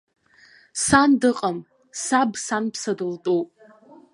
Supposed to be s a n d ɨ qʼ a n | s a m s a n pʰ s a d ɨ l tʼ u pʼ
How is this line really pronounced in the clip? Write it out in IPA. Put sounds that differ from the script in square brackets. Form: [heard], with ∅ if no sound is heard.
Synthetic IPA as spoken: s a n d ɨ qʼ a [m] | s a [b] s a n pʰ s a d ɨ l tʼ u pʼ